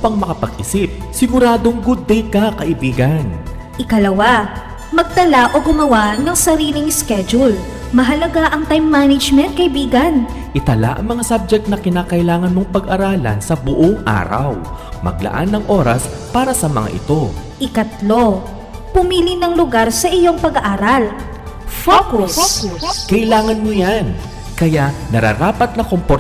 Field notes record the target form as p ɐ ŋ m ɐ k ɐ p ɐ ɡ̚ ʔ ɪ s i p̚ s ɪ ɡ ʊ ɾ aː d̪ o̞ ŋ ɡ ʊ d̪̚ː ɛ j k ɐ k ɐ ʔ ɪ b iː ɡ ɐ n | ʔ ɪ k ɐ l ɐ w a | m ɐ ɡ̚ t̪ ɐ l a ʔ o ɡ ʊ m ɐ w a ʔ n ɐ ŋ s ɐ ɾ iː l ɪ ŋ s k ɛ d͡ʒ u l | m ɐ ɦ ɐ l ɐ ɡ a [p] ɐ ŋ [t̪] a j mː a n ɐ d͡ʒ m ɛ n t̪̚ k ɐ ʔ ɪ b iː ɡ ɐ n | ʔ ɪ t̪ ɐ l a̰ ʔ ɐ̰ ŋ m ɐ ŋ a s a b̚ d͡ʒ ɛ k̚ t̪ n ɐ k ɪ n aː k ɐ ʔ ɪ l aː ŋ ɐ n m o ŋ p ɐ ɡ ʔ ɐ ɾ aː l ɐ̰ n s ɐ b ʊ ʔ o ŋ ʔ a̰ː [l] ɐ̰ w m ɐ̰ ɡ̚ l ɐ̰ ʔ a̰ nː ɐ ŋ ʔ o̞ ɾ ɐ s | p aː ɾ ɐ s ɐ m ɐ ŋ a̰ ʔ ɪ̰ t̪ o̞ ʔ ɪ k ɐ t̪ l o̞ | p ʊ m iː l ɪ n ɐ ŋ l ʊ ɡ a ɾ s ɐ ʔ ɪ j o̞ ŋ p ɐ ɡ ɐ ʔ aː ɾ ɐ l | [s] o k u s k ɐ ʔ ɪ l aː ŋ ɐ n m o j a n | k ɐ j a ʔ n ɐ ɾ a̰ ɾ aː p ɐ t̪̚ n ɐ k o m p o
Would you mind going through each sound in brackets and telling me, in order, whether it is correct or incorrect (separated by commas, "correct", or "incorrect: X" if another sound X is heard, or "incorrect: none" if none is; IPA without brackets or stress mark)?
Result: incorrect: ʔ, correct, incorrect: ɾ, incorrect: f